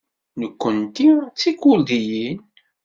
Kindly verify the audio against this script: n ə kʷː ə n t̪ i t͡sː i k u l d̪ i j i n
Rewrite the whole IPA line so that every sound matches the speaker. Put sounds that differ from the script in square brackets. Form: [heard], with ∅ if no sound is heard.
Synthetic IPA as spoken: n ə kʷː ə n t̪ i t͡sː i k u l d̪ i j i n